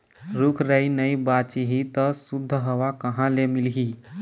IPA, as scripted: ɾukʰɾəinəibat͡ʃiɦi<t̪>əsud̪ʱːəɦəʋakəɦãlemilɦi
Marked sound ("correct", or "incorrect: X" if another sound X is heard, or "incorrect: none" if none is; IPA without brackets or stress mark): correct